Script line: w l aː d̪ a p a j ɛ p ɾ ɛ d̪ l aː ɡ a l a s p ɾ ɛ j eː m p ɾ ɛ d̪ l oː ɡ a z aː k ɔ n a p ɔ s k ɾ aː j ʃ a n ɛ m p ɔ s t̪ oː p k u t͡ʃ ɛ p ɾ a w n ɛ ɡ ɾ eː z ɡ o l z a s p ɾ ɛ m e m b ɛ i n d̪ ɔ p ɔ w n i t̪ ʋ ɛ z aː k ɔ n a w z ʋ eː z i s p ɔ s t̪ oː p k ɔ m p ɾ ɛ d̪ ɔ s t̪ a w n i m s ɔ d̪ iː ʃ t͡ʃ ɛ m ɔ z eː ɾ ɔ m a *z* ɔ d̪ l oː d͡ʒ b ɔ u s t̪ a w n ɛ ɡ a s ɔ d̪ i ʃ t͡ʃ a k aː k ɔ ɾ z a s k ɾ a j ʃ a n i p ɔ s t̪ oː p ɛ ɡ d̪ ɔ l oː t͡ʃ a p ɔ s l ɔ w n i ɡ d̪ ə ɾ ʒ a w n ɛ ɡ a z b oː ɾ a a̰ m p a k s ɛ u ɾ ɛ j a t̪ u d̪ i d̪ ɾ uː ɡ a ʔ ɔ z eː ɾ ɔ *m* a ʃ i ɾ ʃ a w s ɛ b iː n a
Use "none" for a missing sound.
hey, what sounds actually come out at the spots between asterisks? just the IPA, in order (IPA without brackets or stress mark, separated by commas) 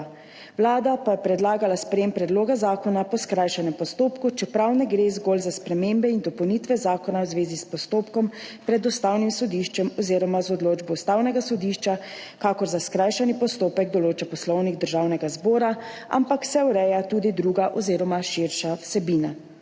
z, m